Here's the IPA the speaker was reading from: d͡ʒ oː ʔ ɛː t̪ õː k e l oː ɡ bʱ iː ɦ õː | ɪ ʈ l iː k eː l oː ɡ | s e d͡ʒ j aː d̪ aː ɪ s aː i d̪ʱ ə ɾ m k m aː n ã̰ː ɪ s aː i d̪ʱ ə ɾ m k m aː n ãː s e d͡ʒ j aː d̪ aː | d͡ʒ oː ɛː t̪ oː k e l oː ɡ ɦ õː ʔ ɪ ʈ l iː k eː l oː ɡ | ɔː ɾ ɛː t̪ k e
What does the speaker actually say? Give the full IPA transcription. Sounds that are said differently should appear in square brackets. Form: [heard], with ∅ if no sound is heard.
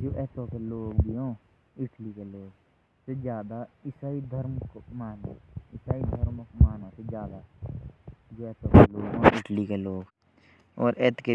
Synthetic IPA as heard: d͡ʒ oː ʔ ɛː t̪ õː k e l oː ɡ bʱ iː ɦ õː | ɪ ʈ l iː k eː l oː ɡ | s e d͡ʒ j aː d̪ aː ɪ s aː i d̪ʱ ə ɾ m k m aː n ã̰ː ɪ s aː i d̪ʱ ə ɾ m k m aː n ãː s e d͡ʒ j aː d̪ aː | d͡ʒ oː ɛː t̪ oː k e l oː ɡ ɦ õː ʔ ɪ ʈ l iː k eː l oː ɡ | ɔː ɾ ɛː t̪ k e